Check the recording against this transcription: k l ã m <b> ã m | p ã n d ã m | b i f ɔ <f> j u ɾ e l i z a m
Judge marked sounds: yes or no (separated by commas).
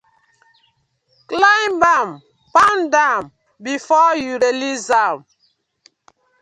yes, no